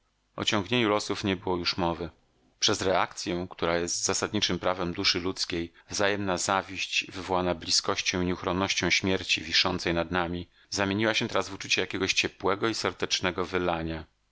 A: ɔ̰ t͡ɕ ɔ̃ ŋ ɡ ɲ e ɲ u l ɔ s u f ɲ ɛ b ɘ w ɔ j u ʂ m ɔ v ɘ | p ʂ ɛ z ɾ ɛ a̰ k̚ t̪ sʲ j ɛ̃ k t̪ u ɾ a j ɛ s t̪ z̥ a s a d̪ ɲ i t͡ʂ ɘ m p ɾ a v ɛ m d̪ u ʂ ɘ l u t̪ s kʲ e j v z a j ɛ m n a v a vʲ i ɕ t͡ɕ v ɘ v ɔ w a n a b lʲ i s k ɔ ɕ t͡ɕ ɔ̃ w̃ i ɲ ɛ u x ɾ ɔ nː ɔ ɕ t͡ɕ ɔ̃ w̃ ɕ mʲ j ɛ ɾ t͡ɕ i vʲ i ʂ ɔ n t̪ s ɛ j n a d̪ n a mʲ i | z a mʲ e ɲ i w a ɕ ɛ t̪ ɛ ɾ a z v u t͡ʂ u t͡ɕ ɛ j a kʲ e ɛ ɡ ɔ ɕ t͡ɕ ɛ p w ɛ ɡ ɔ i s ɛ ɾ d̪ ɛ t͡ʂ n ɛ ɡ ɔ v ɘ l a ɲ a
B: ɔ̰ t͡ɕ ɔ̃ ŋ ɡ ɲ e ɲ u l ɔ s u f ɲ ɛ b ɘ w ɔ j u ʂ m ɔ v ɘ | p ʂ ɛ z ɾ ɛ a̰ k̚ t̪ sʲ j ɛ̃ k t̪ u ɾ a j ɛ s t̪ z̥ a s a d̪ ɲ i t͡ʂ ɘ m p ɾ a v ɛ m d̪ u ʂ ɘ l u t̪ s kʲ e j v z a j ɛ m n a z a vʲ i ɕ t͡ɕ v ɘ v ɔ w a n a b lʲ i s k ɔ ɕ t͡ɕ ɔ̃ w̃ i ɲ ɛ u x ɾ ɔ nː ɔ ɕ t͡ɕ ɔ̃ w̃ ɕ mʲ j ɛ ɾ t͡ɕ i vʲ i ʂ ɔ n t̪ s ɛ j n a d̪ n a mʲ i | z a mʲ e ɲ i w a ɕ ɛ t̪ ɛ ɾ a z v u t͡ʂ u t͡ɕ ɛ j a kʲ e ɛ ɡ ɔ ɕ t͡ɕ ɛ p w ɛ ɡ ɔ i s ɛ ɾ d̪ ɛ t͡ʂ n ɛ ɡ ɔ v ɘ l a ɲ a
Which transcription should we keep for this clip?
B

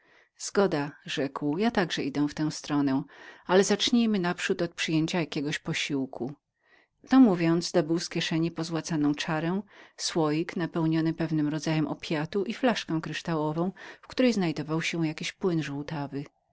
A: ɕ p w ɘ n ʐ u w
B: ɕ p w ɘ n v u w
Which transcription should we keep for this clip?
A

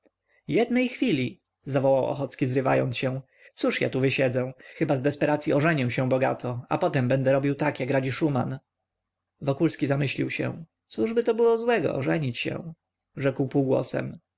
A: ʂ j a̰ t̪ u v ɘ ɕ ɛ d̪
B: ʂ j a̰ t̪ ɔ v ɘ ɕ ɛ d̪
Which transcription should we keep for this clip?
A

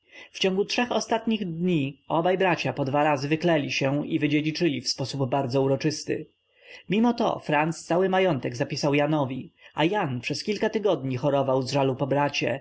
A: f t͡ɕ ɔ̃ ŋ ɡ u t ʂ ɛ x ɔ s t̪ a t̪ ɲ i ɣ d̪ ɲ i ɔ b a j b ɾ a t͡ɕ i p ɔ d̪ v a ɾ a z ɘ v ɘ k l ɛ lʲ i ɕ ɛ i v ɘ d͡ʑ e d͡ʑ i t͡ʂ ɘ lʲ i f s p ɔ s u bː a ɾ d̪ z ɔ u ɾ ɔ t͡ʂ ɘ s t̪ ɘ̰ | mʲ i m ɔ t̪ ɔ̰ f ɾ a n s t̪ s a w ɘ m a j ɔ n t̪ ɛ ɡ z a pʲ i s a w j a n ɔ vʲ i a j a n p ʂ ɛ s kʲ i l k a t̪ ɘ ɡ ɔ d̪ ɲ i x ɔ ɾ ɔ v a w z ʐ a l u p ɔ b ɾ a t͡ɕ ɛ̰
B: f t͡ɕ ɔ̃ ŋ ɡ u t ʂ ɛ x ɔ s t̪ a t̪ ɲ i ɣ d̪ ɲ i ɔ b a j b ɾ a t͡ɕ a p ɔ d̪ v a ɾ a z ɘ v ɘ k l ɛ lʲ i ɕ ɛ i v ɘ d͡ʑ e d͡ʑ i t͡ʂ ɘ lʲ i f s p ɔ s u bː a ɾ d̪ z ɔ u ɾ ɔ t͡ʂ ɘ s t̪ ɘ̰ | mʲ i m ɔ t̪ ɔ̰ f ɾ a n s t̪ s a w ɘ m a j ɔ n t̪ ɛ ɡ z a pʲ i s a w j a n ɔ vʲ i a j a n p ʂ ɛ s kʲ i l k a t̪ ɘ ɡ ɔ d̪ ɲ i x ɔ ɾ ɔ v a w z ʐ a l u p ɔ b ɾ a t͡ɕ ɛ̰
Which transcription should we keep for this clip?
B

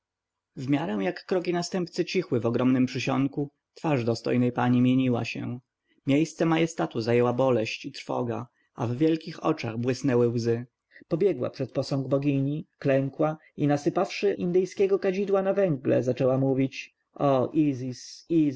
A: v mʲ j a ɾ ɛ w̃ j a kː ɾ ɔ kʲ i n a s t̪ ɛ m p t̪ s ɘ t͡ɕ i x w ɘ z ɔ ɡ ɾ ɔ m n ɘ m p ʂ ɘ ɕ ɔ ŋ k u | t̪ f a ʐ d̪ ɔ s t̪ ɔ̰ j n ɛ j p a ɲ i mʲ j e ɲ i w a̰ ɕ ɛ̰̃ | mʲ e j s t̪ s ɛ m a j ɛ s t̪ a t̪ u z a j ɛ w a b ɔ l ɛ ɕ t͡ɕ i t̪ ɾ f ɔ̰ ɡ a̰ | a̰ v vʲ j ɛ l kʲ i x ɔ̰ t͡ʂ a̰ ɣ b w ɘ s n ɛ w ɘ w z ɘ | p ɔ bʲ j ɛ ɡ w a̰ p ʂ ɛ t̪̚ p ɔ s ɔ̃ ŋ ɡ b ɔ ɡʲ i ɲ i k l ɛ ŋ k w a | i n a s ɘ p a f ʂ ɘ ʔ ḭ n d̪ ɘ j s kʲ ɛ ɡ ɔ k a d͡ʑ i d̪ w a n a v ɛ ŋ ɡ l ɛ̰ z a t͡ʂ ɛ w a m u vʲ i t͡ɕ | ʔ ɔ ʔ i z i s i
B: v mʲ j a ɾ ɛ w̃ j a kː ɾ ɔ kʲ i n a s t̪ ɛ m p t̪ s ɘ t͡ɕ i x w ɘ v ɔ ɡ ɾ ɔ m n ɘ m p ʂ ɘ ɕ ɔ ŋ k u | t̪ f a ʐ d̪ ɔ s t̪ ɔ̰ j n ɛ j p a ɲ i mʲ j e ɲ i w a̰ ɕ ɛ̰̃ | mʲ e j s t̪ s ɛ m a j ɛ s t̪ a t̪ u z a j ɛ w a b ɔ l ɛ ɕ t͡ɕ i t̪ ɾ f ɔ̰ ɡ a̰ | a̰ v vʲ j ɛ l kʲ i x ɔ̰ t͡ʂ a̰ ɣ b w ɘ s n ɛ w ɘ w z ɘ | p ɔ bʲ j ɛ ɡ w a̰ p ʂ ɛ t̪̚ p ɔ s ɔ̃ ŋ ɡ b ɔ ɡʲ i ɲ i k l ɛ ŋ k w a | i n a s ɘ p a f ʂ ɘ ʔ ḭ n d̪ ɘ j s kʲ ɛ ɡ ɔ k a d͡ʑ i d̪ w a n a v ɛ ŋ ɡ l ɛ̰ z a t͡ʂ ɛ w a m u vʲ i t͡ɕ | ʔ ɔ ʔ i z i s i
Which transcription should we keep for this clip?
B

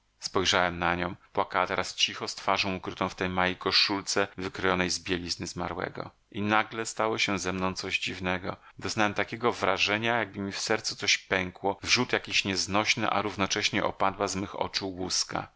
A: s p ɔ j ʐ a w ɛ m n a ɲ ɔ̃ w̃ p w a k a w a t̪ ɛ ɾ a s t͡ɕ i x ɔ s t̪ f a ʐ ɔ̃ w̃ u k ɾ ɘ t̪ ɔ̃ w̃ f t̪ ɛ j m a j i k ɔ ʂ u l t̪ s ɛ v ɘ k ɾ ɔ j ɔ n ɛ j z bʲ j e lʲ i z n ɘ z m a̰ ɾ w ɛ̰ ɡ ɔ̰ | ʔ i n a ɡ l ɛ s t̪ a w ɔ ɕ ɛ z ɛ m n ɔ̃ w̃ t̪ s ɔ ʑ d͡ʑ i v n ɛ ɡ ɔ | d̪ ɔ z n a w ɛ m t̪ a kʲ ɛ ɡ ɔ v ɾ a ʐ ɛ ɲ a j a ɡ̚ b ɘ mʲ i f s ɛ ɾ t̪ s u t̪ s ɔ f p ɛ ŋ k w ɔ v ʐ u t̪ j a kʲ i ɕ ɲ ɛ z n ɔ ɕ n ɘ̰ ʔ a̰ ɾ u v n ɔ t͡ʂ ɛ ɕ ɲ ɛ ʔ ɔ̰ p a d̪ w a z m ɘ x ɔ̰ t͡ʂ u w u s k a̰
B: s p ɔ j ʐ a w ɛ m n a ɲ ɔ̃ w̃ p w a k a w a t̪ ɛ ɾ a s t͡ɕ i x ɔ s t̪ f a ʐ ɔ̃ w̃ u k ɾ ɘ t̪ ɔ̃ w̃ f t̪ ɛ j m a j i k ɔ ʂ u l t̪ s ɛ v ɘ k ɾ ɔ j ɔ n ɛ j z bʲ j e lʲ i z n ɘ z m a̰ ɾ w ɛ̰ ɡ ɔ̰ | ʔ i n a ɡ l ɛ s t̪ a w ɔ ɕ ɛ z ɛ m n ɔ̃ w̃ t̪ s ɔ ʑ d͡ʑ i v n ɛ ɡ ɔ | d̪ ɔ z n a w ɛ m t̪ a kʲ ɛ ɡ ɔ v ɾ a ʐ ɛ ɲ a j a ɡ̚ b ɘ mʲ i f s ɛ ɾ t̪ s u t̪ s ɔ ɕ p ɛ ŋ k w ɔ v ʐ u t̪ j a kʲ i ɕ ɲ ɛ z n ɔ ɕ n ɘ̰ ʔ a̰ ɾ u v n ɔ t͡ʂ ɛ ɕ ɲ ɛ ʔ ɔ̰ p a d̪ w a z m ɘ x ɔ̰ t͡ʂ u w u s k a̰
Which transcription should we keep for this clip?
B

